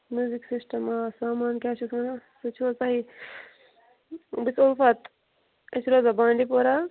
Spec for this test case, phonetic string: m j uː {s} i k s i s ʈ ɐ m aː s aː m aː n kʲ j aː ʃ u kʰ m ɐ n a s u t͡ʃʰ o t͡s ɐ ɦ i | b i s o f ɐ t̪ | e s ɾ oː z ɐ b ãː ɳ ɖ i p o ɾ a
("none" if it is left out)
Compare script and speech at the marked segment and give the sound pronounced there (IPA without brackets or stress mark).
z